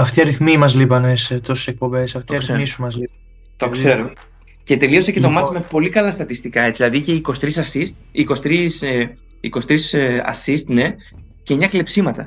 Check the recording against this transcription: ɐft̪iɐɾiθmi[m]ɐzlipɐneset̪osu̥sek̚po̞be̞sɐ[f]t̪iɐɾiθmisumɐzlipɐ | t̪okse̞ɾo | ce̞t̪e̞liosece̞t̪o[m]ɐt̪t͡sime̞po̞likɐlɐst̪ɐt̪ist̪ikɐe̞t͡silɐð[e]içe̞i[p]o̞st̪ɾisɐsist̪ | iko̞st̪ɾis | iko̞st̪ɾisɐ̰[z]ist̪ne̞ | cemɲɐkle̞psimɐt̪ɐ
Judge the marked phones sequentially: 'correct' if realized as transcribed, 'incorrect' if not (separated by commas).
correct, correct, correct, incorrect, incorrect, incorrect